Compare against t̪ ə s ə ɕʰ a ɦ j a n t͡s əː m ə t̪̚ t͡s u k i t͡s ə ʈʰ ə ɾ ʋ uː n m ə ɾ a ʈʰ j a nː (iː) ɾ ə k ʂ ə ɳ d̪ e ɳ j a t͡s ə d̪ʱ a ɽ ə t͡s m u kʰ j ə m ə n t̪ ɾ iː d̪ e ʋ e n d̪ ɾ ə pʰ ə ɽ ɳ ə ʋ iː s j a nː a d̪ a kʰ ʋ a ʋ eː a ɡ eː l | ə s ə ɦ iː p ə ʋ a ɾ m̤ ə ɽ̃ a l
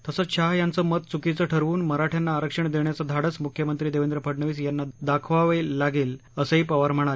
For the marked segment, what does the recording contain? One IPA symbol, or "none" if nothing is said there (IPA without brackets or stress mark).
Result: aː